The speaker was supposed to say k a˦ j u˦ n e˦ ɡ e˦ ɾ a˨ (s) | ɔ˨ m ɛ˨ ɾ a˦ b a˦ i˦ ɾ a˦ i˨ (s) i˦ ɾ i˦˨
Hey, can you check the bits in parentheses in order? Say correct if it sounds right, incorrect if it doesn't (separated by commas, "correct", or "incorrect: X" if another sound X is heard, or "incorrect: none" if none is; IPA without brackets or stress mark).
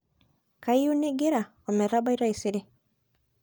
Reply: incorrect: none, correct